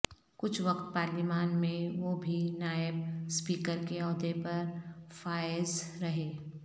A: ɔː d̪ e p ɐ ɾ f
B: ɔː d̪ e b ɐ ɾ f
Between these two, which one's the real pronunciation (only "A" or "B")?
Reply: A